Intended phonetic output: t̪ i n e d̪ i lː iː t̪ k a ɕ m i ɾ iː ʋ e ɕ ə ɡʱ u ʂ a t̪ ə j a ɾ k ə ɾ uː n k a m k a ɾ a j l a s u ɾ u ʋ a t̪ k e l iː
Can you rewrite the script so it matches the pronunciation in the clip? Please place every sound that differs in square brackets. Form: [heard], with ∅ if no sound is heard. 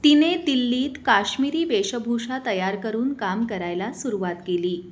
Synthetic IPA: t̪ i n e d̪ i lː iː t̪ k a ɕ m i ɾ iː ʋ e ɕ ə [bʱ] u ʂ a t̪ ə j a ɾ k ə ɾ uː n k a m k [ə] ɾ a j l a s u ɾ u ʋ a t̪ k e l iː

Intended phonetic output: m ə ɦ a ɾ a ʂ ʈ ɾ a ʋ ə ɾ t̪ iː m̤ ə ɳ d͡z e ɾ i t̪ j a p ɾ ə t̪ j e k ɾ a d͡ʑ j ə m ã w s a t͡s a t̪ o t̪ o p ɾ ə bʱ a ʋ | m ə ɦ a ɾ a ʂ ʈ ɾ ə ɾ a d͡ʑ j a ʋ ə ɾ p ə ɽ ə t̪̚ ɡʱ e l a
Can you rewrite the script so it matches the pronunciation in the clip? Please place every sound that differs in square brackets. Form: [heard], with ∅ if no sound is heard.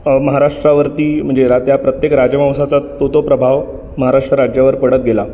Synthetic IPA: m ə ɦ a ɾ a ʂ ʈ ɾ a ʋ ə ɾ t̪ iː m̤ ə ɳ d͡z e ɾ [a] t̪ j a p ɾ ə t̪ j e k ɾ a d͡ʑ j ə m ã w s a t͡s a t̪ o t̪ o p ɾ ə bʱ a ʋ | m ə ɦ a ɾ a ʂ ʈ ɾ ə ɾ a d͡ʑ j a ʋ ə ɾ p ə ɽ ə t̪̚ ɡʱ e l a

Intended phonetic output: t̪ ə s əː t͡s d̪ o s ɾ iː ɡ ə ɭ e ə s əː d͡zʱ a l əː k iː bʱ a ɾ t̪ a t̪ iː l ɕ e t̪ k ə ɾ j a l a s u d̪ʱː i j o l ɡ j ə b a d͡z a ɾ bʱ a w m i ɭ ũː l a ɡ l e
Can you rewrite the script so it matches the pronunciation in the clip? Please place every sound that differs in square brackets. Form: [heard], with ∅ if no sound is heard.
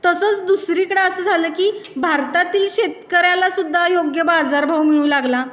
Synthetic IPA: t̪ ə s əː t͡s d̪ [u] s ɾ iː [k] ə [ɽ] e ə s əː d͡zʱ a l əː k iː bʱ a ɾ t̪ a t̪ iː l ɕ e t̪ k ə ɾ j a l a s u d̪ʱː [a] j o [∅] ɡ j ə b a d͡z a ɾ bʱ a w m i ɭ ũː l a ɡ l [a]

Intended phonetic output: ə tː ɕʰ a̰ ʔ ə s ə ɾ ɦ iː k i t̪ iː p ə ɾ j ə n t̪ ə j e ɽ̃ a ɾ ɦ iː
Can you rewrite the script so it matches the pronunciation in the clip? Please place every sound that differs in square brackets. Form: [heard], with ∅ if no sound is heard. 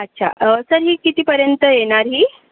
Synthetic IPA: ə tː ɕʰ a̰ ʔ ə s ə ɾ ɦ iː k i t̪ iː p ə ɾ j ə n t̪ ə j e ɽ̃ a ɾ ɦ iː

